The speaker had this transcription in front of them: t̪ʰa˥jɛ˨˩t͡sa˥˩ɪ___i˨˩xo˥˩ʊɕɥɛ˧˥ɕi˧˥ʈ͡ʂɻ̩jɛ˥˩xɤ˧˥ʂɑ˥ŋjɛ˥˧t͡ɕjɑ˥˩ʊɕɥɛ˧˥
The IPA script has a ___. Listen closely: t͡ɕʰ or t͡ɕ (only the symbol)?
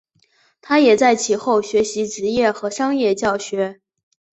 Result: t͡ɕʰ